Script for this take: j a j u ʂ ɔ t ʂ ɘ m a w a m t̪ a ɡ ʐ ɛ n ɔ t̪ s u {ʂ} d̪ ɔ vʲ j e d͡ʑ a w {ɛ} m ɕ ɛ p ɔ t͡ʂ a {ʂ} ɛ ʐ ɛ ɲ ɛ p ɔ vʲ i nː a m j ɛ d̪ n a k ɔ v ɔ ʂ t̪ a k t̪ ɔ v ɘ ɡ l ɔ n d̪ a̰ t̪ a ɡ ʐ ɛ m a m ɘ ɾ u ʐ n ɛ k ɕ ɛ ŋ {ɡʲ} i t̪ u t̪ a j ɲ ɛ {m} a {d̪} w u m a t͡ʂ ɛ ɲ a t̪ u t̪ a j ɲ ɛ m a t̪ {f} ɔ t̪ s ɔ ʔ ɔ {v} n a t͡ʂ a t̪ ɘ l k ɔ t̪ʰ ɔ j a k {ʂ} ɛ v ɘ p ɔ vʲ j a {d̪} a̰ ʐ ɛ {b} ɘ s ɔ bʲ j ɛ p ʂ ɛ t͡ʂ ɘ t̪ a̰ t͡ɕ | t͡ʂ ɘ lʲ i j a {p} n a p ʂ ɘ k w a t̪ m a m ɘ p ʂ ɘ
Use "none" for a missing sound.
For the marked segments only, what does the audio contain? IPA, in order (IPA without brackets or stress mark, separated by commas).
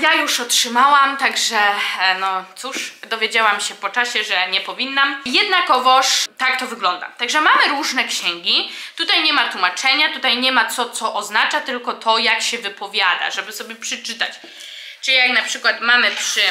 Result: ʂ, a, ɕ, ɡʲ, m, t̪, s, z, ɕ, d̪, b, k